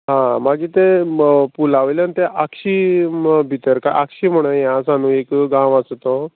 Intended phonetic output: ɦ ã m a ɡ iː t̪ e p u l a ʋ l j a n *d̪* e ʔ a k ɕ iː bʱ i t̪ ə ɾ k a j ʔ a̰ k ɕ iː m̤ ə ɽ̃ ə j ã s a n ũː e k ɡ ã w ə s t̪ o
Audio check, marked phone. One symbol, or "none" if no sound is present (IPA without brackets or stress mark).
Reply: t̪